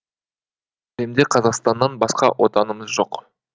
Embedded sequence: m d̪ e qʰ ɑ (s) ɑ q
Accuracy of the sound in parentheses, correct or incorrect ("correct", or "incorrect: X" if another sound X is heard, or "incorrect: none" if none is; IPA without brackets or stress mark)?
incorrect: z